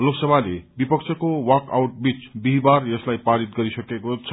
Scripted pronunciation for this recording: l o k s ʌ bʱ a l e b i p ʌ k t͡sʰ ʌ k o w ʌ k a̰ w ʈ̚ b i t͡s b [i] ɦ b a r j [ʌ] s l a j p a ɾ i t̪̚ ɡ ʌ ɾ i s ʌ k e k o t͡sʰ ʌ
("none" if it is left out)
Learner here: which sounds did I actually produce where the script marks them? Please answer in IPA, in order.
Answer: i, ʌ

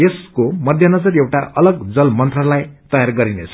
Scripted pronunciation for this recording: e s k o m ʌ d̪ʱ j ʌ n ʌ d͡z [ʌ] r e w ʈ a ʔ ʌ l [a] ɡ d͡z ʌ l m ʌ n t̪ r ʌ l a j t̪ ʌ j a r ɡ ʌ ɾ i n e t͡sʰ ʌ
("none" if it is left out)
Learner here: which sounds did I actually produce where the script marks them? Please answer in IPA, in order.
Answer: ʌ, ʌ

